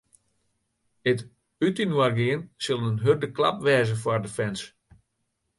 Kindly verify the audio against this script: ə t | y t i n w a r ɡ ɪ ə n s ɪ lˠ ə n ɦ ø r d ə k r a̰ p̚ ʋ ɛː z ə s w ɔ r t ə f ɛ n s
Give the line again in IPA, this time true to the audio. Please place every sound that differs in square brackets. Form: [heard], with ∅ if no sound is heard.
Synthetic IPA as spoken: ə t | y t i n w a r ɡ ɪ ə n s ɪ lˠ ə n ɦ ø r d ə k [l] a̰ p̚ ʋ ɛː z ə [f] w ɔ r [d] ə f ɛ n s